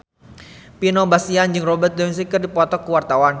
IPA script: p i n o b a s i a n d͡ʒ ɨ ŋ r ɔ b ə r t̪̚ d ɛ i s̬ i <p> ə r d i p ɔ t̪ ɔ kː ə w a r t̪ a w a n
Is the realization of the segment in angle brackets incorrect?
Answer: yes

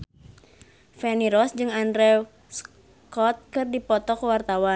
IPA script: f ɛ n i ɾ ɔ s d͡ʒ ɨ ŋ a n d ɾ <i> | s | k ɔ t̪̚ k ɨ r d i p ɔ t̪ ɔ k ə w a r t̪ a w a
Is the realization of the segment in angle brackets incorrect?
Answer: yes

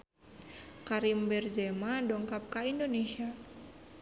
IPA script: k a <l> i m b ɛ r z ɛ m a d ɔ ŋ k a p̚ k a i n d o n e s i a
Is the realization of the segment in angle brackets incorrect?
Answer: yes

